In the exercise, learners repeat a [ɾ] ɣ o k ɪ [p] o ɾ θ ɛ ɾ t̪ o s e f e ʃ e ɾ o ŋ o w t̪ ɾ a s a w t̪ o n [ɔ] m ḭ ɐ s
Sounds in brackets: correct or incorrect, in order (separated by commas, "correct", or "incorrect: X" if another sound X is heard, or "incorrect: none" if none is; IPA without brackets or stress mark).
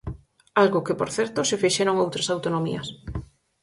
incorrect: l, correct, incorrect: o